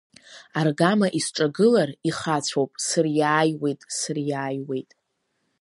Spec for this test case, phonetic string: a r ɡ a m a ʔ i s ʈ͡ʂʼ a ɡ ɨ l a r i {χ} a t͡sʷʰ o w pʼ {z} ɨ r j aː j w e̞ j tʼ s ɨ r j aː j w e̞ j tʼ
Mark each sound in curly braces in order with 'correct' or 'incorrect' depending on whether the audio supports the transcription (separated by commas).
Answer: correct, incorrect